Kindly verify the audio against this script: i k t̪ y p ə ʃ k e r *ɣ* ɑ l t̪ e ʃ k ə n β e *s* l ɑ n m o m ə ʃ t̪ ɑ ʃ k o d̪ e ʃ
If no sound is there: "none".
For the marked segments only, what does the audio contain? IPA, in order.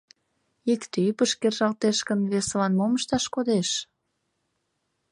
ʒ, s

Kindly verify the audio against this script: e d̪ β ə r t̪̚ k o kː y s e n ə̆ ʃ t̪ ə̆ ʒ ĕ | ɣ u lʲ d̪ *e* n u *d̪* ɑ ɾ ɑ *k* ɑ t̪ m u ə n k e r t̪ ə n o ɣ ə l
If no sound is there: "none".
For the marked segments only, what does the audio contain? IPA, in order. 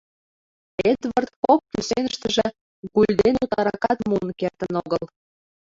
e, t̪, k

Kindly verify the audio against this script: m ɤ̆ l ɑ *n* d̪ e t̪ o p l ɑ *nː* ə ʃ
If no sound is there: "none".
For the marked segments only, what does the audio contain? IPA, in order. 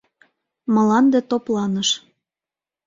n, n

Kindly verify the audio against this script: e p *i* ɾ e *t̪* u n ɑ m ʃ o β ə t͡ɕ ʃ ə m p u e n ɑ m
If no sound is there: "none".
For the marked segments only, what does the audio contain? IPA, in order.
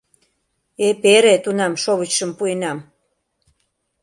e, t̪

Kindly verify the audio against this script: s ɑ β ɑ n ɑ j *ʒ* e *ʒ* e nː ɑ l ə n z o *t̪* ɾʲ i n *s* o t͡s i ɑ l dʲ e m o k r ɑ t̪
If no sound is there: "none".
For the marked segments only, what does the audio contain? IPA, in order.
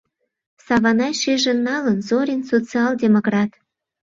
ʃ, ʒ, none, s

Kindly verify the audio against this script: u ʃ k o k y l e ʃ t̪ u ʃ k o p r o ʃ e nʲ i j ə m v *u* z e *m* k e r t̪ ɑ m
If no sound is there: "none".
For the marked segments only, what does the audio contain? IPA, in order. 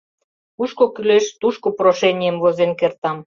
o, n

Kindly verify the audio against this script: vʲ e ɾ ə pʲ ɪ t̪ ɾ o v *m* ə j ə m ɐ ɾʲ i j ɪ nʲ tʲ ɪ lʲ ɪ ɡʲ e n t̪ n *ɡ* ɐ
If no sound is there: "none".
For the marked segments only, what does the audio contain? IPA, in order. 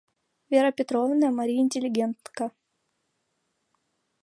n, k

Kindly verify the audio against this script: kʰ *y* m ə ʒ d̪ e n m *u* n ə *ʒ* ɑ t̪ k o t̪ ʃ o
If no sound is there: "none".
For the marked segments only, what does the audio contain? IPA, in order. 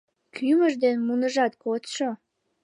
y, u, ʒ

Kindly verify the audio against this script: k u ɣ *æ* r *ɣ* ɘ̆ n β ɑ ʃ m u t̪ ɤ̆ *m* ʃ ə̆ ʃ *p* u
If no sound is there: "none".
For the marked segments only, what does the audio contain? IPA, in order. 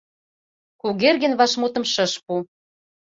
e, ɣ, m, p

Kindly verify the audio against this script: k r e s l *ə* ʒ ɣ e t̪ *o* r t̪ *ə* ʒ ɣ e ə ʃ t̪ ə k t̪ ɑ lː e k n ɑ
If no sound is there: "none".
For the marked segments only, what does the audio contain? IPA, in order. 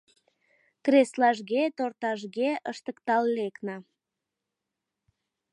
ɑ, o, ɑ

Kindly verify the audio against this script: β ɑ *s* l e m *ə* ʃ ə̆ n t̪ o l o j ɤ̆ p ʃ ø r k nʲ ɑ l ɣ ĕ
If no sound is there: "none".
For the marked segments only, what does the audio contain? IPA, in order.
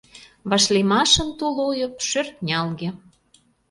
ʃ, ɑ

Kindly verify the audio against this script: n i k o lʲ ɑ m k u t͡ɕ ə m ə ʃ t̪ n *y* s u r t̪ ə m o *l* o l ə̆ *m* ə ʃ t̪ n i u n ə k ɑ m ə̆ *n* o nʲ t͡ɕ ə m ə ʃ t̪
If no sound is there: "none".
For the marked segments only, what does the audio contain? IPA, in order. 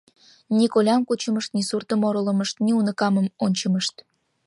i, ɾ, m, m

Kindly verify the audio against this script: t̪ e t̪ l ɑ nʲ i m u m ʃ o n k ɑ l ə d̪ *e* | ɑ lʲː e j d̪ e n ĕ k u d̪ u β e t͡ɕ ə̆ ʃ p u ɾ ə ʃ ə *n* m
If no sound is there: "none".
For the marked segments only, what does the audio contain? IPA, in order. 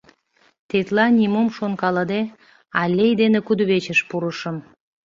e, none

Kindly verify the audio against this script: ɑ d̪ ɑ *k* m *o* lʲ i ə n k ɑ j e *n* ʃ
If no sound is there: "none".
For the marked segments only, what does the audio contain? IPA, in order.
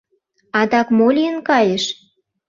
k, o, none

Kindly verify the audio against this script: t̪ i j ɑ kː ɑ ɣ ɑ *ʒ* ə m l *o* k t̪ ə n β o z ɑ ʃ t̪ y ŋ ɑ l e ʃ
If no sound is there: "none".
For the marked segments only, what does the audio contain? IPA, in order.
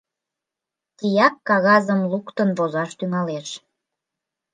z, u

